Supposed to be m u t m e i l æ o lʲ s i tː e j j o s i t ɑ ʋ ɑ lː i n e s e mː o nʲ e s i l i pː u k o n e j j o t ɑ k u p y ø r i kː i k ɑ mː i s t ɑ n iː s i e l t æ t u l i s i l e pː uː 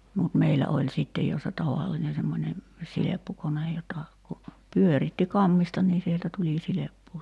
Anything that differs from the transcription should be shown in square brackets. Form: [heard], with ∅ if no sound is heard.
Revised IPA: m u t m e i l æ o lʲ s i tː e j j o s [e] t ɑ ʋ ɑ lː i n e s e mː o nʲ e s i l [e] pː u k o n e j j o t ɑ k u p y ø r i [tː] i k ɑ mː i s t ɑ n iː s i e l t æ t u l i s i l e pː uː

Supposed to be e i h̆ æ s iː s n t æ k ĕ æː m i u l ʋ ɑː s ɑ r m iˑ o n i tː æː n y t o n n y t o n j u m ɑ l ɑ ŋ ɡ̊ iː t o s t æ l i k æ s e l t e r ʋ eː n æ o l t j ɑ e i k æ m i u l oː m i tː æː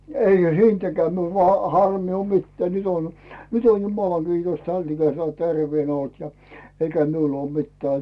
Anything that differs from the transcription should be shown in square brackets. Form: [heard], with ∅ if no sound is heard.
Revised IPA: e i h̆ æ s iː [∅] n t æ k ĕ æː m i u l ʋ ɑː [h] ɑ r m iˑ o [m] i tː æː n y t o n n y t o n j u m ɑ l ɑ ŋ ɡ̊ iː t o s t æ l i k æ s e l t e r ʋ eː n æ o l t j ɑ e i k æ m i u l oː m i tː æː

